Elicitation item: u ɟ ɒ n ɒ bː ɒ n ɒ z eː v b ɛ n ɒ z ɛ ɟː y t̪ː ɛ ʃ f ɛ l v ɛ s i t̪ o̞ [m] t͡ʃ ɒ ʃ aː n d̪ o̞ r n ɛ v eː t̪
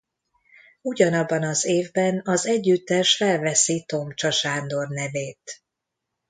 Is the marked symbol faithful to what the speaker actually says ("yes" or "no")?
yes